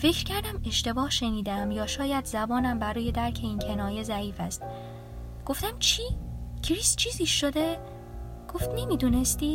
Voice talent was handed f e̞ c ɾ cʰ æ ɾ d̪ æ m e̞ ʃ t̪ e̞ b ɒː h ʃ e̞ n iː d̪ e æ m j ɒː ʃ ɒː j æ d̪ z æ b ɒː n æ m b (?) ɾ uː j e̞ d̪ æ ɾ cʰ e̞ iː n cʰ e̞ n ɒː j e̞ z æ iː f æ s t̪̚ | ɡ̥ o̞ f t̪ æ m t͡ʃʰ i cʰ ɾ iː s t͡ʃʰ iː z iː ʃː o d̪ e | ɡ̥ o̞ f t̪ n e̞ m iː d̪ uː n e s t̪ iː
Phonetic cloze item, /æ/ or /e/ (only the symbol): æ